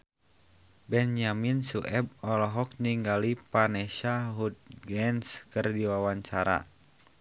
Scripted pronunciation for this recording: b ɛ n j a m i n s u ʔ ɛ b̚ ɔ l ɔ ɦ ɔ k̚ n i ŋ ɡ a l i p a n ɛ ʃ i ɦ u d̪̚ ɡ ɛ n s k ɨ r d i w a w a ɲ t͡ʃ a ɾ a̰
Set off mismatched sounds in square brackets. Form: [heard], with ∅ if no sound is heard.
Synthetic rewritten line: b ɛ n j a m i n s u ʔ ɛ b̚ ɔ l ɔ ɦ ɔ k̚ n i ŋ ɡ a l i p a n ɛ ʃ [a] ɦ u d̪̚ ɡ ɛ n s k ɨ r d i w a w a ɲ t͡ʃ a ɾ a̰